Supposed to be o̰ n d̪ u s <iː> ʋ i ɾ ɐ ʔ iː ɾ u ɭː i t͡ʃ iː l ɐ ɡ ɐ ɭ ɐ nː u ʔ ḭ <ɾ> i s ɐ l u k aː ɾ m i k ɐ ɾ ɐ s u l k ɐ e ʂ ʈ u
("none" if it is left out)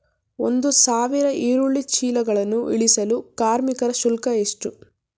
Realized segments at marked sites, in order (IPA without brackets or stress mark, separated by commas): aː, ɭ